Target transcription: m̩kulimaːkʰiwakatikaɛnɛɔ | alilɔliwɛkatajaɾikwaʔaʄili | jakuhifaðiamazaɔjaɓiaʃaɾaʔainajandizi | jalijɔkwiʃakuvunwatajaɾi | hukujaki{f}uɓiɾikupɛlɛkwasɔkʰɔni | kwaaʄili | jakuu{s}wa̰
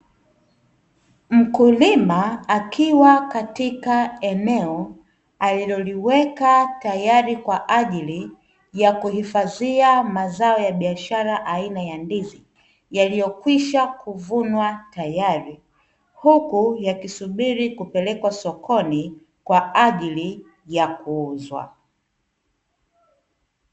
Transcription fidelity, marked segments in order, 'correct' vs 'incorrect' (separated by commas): incorrect, incorrect